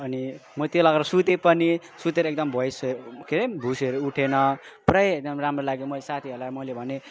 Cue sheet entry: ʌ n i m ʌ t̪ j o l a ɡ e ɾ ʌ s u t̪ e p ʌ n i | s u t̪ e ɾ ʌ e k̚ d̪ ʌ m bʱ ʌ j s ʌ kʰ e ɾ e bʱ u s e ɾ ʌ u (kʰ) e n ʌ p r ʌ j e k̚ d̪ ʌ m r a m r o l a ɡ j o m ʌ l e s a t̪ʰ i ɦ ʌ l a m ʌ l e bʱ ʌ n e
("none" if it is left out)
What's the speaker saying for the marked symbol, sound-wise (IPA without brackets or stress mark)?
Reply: ʈʰ